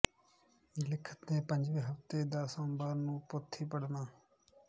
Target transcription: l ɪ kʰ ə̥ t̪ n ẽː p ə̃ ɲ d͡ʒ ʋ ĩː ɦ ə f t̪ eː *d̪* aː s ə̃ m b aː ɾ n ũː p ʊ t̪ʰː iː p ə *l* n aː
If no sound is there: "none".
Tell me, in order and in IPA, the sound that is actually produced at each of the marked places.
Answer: d̪, ɽ

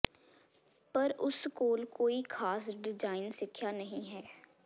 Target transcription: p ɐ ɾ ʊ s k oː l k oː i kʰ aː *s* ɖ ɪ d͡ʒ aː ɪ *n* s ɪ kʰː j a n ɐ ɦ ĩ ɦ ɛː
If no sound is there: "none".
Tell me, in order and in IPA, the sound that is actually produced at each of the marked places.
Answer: s, n

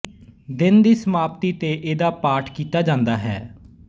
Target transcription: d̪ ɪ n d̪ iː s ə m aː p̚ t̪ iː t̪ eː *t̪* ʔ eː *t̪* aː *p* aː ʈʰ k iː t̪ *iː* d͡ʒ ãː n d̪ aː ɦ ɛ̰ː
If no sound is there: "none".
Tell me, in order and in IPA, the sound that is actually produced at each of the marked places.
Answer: none, d̪, p, aː

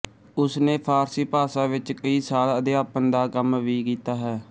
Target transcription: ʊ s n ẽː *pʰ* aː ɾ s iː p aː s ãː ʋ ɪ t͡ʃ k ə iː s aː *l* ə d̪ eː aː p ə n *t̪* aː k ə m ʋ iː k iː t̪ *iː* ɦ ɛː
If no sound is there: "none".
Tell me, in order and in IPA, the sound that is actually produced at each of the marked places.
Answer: pʰ, l, d̪, aː

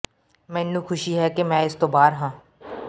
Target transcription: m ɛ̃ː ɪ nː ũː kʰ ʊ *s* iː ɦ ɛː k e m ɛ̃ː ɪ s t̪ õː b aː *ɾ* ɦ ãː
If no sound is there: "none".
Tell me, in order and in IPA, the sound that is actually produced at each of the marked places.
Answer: ʃ, ɾ

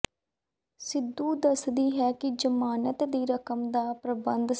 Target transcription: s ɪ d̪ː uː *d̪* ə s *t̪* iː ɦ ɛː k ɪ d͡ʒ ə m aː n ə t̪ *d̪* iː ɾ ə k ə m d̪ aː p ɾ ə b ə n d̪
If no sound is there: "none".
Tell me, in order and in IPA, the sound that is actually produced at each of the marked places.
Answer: d̪, d̪, d̪

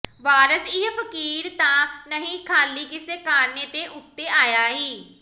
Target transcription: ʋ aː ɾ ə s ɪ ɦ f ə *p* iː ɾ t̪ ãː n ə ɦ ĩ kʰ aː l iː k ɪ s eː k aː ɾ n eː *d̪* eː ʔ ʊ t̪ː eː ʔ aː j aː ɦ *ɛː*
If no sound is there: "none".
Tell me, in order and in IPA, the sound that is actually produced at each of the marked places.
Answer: k, t̪, iː

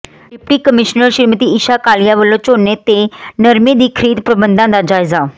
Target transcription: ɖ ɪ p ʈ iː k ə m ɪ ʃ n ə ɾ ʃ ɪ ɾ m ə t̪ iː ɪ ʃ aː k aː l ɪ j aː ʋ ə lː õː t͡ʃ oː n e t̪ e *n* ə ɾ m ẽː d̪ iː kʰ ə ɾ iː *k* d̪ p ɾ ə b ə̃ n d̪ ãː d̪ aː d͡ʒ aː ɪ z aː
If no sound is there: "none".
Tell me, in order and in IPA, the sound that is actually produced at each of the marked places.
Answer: n, none

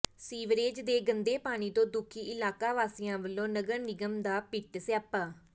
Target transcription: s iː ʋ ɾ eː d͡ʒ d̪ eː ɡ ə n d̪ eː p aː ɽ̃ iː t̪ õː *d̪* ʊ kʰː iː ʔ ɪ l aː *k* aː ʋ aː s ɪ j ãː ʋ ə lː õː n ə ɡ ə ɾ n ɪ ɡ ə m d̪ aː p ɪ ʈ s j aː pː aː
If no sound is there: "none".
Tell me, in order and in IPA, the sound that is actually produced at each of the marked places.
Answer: d̪, k

